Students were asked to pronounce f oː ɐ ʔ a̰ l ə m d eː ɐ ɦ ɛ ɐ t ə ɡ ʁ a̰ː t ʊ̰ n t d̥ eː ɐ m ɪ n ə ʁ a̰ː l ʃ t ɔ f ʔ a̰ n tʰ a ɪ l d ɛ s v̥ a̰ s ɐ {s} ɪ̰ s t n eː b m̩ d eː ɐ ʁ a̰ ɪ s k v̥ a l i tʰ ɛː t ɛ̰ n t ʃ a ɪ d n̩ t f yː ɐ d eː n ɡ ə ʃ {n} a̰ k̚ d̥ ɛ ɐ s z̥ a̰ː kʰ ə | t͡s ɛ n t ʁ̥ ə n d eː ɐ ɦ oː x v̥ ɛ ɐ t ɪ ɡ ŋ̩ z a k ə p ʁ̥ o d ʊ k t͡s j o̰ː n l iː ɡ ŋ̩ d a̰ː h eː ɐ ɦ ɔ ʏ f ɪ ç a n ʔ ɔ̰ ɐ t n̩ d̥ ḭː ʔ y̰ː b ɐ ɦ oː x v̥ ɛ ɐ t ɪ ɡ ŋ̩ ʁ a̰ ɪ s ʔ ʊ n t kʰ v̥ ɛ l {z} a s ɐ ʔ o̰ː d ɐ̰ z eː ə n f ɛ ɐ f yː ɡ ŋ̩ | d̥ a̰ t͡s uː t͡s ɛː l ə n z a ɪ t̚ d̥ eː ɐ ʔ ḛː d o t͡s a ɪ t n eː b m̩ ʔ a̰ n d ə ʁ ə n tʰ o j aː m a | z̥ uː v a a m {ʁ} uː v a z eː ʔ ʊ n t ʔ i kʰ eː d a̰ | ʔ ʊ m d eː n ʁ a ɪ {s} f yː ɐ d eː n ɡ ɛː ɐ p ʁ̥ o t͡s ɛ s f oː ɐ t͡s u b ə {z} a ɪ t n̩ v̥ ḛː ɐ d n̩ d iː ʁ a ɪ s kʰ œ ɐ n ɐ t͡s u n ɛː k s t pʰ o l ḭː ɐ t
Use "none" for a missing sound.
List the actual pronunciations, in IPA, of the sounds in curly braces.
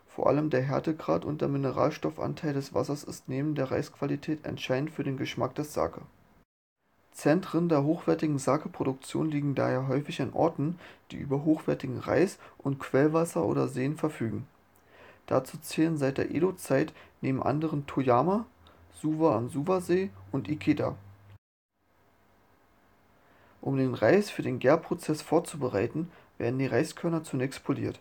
s, m, v, z, s, ʁ

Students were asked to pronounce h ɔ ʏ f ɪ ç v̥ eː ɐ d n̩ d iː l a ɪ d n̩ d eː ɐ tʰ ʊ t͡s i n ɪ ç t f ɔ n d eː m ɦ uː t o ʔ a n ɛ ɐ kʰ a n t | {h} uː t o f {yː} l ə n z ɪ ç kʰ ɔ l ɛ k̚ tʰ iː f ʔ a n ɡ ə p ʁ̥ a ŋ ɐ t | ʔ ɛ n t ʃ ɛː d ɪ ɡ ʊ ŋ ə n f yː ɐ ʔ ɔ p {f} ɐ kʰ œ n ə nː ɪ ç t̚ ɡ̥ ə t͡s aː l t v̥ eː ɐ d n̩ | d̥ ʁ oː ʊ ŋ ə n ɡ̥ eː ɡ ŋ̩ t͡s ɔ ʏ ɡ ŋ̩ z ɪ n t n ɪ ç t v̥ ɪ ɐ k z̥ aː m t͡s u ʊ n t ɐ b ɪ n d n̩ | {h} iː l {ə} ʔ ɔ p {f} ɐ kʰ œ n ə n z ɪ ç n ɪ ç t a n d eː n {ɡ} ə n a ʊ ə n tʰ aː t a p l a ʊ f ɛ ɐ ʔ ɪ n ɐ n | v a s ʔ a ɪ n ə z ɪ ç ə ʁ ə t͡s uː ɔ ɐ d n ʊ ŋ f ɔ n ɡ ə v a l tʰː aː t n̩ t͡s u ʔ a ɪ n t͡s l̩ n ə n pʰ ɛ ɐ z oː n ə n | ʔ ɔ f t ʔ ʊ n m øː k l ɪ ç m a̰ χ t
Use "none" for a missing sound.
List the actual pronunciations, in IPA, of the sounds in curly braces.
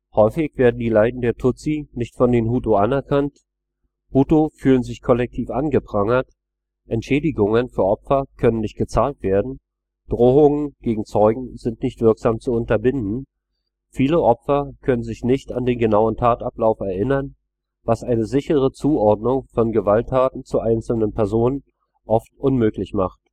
h, yː, f, f, ə, f, ɡ

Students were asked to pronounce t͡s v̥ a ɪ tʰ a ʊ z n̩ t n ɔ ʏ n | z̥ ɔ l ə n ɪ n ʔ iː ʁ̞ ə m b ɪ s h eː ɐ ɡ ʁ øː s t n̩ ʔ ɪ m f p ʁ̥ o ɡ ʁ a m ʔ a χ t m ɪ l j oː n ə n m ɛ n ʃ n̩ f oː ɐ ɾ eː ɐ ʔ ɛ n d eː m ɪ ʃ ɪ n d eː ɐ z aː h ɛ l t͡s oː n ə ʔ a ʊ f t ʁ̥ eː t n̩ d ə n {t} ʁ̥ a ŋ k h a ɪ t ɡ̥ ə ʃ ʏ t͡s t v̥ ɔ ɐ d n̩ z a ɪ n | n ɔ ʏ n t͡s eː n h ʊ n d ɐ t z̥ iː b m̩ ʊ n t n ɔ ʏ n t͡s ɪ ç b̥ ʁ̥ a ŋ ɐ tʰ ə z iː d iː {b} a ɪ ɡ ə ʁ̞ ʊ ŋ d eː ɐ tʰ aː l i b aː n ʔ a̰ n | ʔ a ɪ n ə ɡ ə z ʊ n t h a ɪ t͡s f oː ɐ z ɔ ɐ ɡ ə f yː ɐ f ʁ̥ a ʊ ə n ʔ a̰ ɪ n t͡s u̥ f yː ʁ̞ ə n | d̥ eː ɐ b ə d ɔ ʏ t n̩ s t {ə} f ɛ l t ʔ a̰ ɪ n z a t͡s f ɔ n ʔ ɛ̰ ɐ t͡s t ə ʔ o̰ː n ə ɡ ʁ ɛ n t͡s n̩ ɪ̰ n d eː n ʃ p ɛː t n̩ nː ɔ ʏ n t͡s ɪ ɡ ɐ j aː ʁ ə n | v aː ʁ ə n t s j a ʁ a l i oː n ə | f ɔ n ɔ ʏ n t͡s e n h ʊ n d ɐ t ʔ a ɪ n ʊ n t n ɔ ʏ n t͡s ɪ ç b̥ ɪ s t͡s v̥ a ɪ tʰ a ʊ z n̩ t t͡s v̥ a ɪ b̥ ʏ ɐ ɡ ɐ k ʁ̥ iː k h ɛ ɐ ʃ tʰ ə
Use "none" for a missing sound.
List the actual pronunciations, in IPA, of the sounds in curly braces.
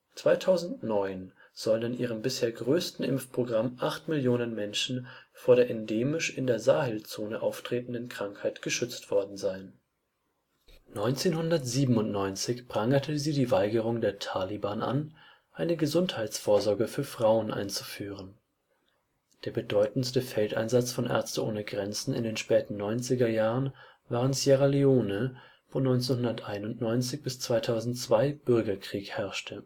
k, v, ə

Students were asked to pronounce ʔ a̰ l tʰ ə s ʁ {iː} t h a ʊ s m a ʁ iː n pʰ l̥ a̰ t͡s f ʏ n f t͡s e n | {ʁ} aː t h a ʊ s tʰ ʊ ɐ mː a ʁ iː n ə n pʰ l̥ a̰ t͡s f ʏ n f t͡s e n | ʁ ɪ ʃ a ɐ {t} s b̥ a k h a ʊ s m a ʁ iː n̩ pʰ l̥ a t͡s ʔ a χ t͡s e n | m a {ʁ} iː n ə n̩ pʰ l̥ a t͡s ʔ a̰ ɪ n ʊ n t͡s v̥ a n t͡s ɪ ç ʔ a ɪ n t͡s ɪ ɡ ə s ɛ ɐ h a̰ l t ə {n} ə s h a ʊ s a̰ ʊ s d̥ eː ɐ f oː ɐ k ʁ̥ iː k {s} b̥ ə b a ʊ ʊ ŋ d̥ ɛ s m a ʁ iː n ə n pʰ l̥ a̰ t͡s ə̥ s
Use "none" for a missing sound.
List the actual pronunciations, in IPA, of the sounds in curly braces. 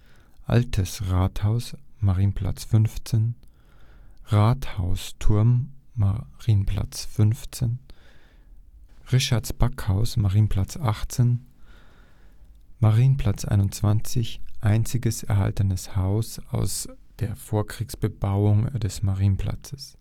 aː, ʁ, t, ʁ, n, s

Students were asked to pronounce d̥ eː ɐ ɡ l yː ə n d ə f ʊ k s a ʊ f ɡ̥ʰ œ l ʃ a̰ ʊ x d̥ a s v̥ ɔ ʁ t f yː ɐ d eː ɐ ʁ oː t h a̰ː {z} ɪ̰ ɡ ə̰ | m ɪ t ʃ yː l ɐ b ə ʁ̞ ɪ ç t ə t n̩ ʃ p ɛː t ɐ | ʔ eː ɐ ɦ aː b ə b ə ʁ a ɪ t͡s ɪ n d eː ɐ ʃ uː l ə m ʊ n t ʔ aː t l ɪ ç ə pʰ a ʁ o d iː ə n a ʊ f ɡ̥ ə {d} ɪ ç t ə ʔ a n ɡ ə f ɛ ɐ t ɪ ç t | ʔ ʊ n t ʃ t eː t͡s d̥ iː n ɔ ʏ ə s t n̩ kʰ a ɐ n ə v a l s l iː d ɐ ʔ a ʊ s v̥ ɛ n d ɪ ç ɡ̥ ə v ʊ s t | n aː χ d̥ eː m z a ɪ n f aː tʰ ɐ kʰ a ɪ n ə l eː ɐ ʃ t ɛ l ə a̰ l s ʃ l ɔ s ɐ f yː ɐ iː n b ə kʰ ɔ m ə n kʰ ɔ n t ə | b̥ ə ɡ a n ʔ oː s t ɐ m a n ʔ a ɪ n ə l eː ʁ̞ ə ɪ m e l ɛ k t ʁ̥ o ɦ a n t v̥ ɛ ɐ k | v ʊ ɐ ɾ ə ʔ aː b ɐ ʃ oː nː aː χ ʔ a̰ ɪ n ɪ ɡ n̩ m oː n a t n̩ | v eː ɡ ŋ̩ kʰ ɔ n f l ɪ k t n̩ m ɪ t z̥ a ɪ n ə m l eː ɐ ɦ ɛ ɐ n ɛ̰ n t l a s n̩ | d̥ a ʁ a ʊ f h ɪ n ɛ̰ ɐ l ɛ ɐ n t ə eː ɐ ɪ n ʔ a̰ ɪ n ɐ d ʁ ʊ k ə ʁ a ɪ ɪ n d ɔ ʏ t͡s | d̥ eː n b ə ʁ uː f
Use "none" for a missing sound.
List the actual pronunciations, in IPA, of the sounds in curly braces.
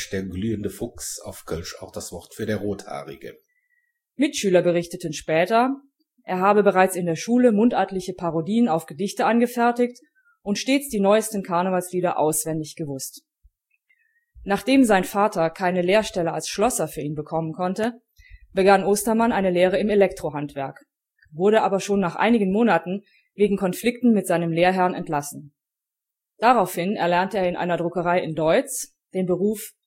ʁ, d

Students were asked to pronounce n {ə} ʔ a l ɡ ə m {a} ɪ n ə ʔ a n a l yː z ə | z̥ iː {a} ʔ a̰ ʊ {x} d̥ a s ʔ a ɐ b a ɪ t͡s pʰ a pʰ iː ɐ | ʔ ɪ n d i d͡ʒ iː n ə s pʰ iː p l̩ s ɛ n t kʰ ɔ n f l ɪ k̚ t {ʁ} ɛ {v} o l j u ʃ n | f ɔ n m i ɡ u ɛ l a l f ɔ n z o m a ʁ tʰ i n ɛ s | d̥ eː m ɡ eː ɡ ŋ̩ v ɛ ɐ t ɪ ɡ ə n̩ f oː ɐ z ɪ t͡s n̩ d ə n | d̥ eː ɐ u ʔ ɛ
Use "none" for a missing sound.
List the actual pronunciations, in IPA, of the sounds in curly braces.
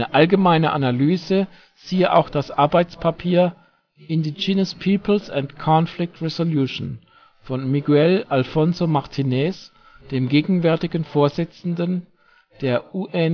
ə, a, ə, x, ʁ, z

